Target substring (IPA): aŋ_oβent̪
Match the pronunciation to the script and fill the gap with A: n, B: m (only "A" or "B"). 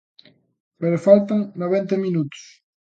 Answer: A